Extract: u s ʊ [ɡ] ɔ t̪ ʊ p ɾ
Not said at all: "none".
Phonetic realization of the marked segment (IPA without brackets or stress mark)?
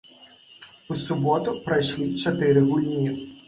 b